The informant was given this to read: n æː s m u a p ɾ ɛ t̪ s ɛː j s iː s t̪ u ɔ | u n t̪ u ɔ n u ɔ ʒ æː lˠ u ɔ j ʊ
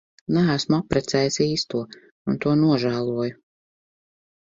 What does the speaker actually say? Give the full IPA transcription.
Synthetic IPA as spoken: n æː s m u a p ɾ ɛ t̪ s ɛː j s iː s t̪ u ɔ | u n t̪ u ɔ n u ɔ ʒ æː lˠ u ɔ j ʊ